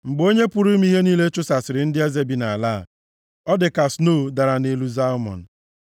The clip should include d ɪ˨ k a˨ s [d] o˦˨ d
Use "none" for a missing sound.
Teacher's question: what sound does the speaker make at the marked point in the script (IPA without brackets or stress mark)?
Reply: n